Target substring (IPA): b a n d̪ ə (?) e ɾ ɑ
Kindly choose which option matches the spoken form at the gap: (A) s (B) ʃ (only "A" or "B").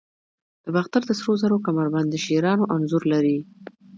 B